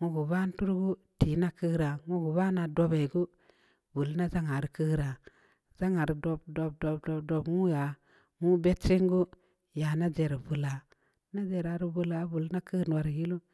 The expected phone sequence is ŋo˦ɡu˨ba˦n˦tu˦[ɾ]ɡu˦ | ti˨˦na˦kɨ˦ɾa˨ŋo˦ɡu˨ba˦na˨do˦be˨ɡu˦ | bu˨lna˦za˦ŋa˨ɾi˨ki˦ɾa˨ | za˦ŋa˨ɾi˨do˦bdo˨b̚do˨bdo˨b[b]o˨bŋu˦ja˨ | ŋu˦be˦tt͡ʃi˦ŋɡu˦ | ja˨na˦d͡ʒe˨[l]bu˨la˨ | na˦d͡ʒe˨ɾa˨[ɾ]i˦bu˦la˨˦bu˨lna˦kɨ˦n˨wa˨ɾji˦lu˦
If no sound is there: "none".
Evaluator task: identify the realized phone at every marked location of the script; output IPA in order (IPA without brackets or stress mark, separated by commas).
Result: ɾ, d, ɾ, ɾ